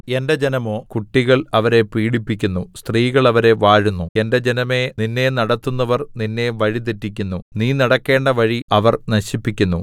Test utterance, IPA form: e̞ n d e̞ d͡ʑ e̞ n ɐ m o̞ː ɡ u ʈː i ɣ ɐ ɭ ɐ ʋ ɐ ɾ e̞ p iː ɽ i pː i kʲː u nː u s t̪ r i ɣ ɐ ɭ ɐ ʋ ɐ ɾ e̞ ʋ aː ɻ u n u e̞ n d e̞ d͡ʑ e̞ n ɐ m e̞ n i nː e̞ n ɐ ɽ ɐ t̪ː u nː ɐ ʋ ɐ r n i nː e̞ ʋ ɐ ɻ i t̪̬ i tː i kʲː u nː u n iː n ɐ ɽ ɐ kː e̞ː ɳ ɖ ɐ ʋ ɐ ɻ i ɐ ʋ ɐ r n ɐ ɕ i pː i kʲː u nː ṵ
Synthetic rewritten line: e̞ n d e̞ d͡ʑ e̞ n ɐ m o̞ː k u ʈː i ɣ ɐ ɭ ɐ ʋ ɐ ɾ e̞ p iː ɽ i pː i kʲː u nː u s t̪ r iː ɣ ɐ ɭ ɐ ʋ ɐ ɾ e̞ ʋ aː ɻ u nː u e̞ n d e̞ d͡ʑ e̞ n ɐ m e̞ n i nː e̞ n ɐ ɽ ɐ t̪ː u nː ɐ ʋ ɐ r n i nː e̞ ʋ ɐ ɻ i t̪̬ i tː i kʲː u nː u n iː n ɐ ɽ ɐ kː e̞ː ɳ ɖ ɐ ʋ ɐ ɻ i ɐ ʋ ɐ r n ɐ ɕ i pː i kʲː u nː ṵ